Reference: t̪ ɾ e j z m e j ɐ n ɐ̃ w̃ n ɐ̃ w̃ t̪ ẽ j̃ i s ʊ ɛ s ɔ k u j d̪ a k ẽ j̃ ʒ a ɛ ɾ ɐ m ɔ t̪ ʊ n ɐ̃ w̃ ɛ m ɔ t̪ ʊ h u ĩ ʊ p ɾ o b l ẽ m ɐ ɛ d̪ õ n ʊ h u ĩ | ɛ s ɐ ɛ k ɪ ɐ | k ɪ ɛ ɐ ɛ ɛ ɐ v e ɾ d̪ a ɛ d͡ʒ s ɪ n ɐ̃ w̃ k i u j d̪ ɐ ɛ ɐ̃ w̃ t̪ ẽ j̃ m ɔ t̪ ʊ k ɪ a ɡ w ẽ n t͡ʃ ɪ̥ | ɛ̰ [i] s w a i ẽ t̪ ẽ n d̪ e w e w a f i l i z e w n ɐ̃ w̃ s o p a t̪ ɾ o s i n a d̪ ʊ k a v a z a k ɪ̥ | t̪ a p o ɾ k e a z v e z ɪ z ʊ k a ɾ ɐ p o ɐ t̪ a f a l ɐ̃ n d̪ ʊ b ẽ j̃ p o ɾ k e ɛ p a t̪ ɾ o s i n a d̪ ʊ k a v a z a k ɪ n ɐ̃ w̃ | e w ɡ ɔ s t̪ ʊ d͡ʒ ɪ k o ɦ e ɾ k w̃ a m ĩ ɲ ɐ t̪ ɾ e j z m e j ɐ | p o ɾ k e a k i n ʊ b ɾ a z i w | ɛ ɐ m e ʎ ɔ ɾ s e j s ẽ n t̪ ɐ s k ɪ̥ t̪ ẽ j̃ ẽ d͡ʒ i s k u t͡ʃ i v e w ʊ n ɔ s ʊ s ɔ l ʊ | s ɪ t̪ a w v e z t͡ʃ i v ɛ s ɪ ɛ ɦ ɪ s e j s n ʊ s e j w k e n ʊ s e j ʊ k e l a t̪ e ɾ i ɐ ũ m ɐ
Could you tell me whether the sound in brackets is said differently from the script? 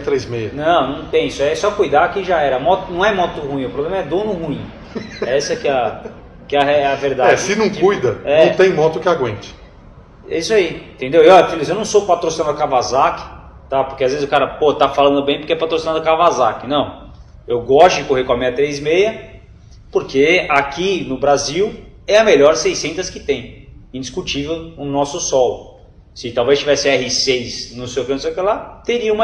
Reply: no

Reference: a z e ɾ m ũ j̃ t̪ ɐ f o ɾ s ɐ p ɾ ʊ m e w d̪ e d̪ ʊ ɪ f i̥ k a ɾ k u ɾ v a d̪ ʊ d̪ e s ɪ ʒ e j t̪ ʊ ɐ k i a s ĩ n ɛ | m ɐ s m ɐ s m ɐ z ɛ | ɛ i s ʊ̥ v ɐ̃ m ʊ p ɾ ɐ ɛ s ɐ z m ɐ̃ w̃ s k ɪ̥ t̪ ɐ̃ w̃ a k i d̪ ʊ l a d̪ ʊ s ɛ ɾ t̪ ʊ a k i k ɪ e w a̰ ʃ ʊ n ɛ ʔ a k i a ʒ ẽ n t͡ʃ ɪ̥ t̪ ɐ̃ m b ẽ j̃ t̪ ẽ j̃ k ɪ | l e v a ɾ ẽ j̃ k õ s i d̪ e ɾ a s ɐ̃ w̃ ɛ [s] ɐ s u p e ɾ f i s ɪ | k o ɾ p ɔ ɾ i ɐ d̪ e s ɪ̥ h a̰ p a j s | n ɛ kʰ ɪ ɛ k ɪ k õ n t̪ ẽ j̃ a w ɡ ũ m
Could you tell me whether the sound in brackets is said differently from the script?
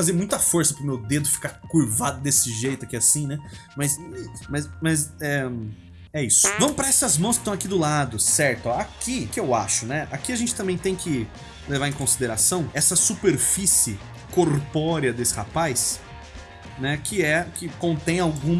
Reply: no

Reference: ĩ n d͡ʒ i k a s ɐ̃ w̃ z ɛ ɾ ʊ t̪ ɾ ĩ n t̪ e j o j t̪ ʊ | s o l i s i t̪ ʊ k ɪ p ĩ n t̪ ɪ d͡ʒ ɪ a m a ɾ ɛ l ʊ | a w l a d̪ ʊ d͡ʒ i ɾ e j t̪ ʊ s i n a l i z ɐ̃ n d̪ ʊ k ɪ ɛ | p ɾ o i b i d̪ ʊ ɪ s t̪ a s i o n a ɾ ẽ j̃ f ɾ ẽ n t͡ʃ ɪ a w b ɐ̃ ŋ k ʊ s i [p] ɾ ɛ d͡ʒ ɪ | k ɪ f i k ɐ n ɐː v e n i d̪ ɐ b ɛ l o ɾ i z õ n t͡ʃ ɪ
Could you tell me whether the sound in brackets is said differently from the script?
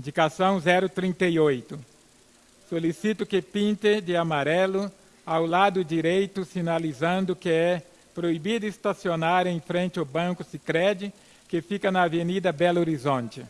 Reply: yes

